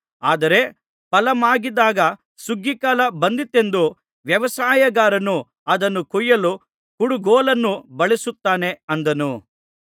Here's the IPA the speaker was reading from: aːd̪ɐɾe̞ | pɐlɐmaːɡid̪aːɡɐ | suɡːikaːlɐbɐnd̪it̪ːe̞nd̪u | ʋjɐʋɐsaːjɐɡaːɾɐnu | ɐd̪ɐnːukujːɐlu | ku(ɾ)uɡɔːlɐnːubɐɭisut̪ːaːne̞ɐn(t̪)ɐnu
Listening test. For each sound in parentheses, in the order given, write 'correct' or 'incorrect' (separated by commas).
incorrect, incorrect